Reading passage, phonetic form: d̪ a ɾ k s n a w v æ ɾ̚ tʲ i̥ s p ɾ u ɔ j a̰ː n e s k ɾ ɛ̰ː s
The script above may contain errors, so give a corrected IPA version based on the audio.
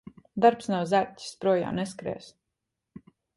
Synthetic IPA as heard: d̪ a ɾ p s n a w z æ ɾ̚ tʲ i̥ s p ɾ u ɔ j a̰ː n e s k ɾ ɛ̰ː s